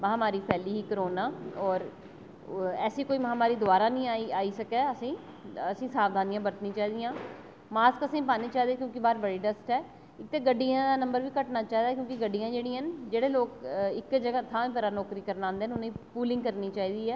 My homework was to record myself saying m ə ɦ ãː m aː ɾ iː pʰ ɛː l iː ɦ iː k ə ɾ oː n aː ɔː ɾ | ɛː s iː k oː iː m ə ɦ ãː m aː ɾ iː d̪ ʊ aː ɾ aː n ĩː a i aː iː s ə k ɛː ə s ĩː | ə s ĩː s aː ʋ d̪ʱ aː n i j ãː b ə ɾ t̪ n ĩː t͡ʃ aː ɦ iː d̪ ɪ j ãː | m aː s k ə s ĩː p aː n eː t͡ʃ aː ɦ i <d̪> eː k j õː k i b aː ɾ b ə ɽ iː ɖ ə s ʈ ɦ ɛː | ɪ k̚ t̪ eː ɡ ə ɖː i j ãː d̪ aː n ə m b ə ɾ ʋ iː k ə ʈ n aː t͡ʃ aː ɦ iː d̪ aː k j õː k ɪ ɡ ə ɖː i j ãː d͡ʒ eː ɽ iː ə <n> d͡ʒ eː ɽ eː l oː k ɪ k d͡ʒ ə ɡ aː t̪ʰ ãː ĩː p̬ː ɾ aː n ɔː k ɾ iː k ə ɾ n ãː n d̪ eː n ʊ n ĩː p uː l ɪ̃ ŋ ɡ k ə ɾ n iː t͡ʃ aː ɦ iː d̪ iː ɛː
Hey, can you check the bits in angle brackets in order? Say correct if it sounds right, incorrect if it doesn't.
correct, correct

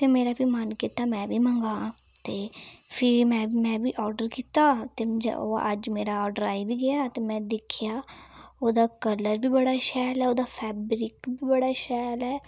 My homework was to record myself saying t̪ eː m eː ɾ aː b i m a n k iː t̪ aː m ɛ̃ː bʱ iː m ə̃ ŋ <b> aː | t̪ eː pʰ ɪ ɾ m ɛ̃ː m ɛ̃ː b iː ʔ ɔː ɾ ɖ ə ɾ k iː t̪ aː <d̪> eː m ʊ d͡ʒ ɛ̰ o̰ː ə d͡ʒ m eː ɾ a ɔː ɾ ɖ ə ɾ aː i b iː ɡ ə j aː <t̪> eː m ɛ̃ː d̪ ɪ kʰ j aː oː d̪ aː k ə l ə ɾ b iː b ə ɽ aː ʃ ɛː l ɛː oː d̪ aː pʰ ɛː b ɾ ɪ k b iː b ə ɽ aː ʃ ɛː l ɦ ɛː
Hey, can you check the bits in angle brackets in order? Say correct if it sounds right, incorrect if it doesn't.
incorrect, incorrect, correct

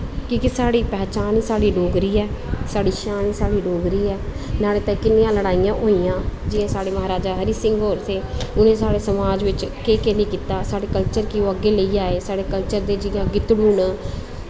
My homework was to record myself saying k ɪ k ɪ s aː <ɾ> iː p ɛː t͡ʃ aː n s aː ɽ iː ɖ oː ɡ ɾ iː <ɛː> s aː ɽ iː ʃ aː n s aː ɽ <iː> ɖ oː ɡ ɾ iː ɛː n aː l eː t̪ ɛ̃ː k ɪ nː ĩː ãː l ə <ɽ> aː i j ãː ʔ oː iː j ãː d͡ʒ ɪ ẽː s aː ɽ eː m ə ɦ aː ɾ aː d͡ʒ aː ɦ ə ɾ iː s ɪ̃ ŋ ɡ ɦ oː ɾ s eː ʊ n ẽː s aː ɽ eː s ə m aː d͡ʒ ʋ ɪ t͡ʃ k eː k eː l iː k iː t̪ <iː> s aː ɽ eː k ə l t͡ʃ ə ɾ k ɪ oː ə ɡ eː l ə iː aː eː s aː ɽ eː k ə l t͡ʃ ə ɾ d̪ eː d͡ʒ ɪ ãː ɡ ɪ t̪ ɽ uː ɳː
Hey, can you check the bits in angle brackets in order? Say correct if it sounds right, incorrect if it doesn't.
incorrect, correct, correct, correct, incorrect

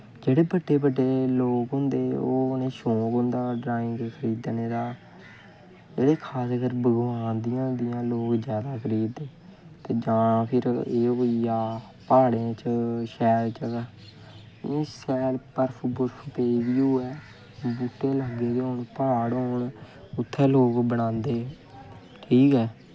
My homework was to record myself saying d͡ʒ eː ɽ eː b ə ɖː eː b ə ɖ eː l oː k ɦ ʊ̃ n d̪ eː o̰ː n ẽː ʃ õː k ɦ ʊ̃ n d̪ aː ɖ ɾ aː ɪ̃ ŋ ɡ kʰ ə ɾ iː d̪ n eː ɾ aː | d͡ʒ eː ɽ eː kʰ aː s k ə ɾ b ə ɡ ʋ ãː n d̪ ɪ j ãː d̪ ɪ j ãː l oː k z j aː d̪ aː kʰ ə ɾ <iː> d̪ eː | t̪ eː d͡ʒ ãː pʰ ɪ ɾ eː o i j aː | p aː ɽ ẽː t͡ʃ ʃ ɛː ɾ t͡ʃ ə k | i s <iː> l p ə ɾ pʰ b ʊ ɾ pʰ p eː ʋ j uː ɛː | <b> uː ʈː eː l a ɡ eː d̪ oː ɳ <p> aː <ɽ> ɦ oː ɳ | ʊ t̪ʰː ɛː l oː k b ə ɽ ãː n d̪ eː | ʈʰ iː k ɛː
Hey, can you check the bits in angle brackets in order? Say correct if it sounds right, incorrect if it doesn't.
correct, incorrect, correct, correct, correct

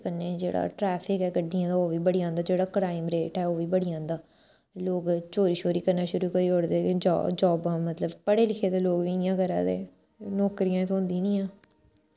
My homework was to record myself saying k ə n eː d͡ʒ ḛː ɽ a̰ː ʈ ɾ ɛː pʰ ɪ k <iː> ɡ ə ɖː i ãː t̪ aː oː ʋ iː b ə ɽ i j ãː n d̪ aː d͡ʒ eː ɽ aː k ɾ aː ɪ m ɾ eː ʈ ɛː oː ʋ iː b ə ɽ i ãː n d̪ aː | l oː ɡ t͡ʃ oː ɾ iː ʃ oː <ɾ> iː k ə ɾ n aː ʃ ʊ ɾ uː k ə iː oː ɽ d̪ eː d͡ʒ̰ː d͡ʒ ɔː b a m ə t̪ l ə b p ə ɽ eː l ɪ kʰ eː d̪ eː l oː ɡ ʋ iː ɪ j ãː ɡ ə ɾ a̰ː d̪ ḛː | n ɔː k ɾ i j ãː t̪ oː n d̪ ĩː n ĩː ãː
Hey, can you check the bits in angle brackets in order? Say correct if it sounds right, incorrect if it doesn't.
incorrect, correct

